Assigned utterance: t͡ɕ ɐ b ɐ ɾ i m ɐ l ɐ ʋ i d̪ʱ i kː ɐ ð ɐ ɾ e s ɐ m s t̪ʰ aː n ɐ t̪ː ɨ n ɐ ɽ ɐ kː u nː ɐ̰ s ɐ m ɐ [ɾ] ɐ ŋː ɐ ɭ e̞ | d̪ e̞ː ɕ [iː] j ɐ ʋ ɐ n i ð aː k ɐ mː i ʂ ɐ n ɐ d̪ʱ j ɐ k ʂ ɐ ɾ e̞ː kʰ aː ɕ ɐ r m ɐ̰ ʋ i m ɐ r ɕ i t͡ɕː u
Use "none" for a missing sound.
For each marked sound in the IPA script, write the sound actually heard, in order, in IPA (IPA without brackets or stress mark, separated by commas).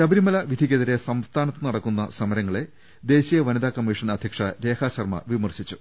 ɾ, i